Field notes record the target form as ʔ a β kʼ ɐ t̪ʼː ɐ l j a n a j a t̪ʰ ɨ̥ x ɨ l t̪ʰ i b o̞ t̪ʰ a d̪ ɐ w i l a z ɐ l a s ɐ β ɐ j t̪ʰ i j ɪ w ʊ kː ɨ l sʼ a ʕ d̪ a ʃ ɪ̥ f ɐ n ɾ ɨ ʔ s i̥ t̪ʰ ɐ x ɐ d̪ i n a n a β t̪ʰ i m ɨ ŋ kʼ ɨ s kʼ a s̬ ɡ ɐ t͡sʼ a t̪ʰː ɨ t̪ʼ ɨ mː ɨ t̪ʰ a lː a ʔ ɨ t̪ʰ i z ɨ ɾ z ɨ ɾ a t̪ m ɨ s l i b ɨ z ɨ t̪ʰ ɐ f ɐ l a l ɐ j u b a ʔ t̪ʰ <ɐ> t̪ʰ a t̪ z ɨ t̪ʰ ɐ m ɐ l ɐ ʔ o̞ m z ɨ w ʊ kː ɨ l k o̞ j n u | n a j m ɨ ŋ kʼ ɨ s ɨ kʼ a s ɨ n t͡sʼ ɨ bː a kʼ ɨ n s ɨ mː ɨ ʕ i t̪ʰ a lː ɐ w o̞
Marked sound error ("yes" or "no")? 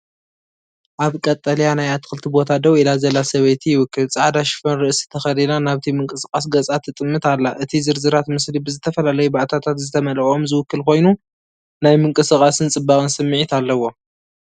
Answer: yes